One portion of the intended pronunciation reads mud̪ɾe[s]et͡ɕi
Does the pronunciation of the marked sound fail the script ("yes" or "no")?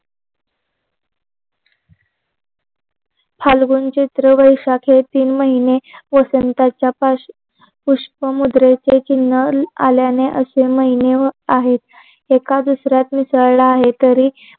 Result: yes